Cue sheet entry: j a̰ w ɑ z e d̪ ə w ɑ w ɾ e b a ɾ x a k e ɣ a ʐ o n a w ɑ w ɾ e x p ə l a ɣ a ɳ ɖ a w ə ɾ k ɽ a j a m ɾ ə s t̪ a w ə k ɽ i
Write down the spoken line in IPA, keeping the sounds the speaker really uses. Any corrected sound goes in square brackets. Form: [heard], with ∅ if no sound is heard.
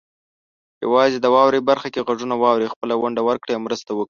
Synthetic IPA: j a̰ w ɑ z e d̪ ə w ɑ w ɾ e b a ɾ x a k e ɣ a ʐ [u] n a w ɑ w ɾ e x p ə l a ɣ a ɳ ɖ a w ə ɾ k ɽ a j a m ɾ ə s t̪ a w ə k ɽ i